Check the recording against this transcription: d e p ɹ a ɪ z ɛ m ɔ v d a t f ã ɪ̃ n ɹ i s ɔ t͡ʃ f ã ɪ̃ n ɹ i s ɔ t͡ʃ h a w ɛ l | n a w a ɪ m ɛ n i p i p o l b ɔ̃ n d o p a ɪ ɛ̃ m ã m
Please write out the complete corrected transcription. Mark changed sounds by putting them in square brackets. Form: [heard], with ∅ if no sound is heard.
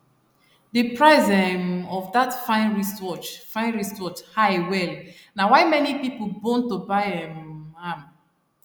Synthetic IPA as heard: d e p ɹ a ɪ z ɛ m ɔ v d a t f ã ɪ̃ n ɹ i s ɔ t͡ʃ f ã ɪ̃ n ɹ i s ɔ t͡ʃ h a w ɛ l | n a w a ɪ m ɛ n i p i p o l b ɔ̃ n [t] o [b] a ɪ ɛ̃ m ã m